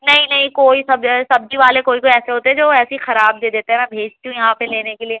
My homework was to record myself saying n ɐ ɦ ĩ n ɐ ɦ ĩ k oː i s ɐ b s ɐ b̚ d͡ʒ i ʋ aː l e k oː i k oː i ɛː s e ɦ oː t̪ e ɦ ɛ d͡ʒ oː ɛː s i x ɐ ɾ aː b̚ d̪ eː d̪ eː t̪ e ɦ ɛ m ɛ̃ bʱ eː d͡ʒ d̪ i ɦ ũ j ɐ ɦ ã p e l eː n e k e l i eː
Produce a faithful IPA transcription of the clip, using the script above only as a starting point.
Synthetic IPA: n ɐ ɦ ĩ n ɐ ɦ ĩ k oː i s ɐ b s ɐ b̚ d͡ʒ i ʋ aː l e k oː i k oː i ɛː s e ɦ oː t̪ e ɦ ɛ d͡ʒ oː ɛː s i x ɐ ɾ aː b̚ d̪ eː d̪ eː t̪ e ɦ ɛ m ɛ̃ bʱ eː d͡ʒ t̪ i ɦ ũ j ɐ ɦ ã p e l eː n e k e l i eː

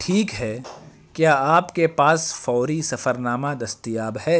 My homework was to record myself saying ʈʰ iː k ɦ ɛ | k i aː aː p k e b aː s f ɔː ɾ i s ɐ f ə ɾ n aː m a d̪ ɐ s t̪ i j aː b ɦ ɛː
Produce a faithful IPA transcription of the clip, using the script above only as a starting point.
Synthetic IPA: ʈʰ iː k ɦ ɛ | k j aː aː p k e p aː s f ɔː ɾ i s ɐ f ə ɾ n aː m a d̪ ɐ s t̪ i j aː b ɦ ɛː

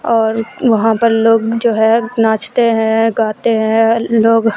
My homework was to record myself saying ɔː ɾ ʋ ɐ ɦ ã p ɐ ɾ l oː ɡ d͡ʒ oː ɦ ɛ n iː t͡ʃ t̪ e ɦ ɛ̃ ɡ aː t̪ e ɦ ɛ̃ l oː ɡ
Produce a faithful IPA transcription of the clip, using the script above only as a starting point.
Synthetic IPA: ɔː ɾ ʋ ɐ ɦ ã p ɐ ɾ l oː ɡ d͡ʒ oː ɦ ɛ n aː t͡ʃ t̪ e ɦ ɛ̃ ɡ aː t̪ e ɦ ɛ̃ l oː ɡ

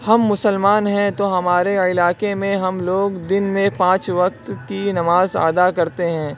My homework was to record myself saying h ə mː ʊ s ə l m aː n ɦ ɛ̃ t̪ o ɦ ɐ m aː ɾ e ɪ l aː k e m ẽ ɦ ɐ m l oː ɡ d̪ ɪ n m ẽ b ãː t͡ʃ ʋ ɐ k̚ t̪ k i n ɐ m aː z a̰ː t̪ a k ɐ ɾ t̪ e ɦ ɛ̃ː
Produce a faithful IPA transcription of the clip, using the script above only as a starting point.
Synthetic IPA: h ɐ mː ʊ s ə l m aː n ɦ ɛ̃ t̪ o ɦ ɐ m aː ɾ e ɪ l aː k e m ẽ ɦ ɐ m l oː ɡ d̪ ɪ n m ẽ p ãː t͡ʃ ʋ ɐ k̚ t̪ k i n ɐ m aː z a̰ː d̪ a k ɐ ɾ t̪ e ɦ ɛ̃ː

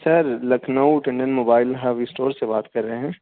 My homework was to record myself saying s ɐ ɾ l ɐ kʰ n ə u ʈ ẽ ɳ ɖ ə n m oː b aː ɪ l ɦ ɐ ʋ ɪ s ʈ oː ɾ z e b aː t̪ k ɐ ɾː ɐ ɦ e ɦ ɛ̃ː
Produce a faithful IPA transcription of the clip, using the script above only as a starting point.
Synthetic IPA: s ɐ ɾ l ɐ kʰ n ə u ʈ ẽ ɳ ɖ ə n m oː b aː ɪ l ɦ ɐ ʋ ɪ s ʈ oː ɾ s e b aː t̪ k ɐ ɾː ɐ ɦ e ɦ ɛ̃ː

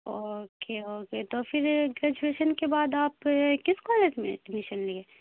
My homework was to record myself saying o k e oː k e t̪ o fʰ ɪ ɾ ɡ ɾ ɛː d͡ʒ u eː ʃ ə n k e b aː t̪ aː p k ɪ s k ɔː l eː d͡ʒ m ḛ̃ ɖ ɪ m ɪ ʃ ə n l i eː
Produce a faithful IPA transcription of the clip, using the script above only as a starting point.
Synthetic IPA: o k e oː k e t̪ o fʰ ɪ ɾ ɡ ɾ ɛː d͡ʒ u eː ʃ ə n k e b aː d̪ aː p k ɪ s k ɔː l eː d͡ʒ m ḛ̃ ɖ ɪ m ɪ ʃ ə n l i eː

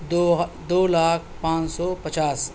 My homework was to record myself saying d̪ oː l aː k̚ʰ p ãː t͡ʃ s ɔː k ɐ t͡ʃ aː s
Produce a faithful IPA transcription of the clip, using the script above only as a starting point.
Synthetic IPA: d̪ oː l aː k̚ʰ p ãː t͡ʃ s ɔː p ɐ t͡ʃ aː s

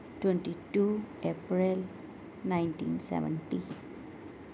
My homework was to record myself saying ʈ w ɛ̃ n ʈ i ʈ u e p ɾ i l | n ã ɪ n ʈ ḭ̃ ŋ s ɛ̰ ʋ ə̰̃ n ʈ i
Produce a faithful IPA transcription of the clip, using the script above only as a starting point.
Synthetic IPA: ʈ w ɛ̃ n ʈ i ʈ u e p ɾ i l | n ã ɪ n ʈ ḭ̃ n s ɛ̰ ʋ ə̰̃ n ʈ i

